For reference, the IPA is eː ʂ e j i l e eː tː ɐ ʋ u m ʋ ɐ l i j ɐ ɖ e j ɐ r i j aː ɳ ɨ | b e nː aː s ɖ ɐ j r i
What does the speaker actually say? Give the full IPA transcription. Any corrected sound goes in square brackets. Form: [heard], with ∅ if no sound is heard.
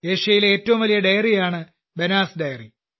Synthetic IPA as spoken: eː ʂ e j i l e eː tː ɐ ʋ u m ʋ ɐ l i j ɐ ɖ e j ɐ r i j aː ɳ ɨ | b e [n] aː s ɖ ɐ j r i